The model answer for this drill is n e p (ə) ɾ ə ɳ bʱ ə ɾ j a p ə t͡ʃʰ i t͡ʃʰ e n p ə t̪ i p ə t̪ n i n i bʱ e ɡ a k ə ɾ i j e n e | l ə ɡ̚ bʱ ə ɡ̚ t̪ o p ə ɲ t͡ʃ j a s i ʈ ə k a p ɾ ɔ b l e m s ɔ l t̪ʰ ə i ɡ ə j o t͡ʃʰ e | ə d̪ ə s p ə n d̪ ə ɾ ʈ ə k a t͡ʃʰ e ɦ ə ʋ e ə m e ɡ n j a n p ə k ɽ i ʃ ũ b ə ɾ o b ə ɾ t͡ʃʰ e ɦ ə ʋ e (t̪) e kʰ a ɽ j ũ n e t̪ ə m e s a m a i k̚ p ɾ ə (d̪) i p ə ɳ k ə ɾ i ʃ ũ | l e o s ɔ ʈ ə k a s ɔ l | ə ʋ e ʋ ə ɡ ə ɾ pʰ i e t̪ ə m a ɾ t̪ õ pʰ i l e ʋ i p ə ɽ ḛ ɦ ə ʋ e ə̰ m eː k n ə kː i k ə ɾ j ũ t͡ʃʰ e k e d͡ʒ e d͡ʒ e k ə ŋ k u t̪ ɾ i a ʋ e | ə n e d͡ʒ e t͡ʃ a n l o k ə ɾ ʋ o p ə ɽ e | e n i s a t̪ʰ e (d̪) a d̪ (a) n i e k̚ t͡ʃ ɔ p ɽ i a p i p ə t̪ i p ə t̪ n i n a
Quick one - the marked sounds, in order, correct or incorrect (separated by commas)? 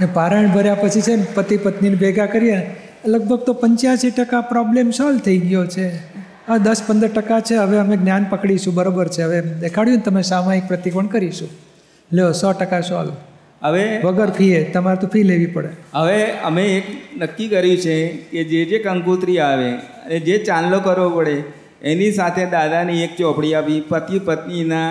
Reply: incorrect, incorrect, incorrect, correct, correct